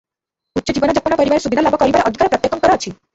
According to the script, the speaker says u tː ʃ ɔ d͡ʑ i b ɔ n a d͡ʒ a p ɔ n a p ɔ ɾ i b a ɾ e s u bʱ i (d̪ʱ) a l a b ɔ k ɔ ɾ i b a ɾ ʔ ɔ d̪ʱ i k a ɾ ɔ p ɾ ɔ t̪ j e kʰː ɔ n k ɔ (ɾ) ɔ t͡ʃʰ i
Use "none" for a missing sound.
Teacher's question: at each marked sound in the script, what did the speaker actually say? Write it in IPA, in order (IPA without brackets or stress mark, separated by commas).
d̪ʱ, ɾ